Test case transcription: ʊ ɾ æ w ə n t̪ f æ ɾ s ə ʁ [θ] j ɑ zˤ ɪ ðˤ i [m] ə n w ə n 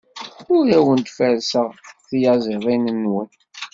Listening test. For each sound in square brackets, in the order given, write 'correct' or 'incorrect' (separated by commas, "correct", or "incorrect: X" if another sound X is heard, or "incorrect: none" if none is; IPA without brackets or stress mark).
correct, incorrect: n